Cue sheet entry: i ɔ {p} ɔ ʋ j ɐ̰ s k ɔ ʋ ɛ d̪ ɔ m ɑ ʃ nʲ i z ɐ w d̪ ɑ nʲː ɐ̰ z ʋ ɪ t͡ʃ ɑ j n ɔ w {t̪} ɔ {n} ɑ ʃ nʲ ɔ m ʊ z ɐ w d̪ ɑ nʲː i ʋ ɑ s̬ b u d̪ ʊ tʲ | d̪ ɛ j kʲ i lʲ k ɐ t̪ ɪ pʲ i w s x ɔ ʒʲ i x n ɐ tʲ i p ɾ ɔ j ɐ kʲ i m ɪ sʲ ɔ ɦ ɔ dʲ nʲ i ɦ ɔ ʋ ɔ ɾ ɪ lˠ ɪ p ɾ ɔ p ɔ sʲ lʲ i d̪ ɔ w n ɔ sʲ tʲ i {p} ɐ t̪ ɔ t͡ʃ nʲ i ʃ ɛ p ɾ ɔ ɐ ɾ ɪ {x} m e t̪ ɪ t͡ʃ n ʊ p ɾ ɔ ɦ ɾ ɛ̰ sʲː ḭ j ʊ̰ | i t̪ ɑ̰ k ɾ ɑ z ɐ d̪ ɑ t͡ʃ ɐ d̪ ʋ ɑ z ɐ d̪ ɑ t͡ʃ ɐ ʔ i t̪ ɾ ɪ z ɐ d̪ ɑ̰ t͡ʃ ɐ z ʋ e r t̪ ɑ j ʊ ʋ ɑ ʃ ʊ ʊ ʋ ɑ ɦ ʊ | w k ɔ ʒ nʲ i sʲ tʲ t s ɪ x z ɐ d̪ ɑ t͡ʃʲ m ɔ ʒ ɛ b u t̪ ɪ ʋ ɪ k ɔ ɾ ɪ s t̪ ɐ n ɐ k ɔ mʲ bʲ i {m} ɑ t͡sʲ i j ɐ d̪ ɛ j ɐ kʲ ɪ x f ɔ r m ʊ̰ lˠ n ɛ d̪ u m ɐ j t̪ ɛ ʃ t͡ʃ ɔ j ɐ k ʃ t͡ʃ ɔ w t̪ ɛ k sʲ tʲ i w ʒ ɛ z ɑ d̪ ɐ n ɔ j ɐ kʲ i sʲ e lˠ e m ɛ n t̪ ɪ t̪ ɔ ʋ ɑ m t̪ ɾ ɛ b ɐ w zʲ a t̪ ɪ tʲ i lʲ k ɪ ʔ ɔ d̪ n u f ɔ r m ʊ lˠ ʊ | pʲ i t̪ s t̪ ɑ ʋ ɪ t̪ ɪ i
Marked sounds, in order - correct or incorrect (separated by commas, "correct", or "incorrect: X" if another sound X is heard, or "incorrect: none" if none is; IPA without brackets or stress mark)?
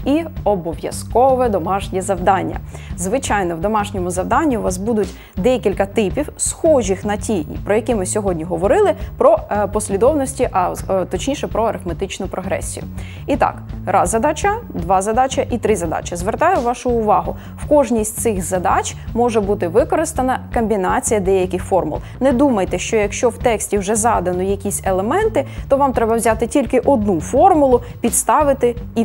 incorrect: b, incorrect: d̪, incorrect: m, incorrect: ʔ, incorrect: f, incorrect: n